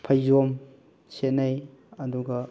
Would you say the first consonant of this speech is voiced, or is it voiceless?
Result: voiceless